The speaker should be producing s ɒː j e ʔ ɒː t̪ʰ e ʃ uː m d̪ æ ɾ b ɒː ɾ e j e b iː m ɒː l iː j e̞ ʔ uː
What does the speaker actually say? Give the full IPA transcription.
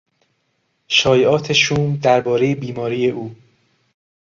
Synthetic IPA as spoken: ʃ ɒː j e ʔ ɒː t̪ʰ e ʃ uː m d̪ æ ɾ b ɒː ɾ e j e b iː m ɒː ɾ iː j e̞ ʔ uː